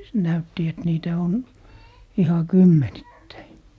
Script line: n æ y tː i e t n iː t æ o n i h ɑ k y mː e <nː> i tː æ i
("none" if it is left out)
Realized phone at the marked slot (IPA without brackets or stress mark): n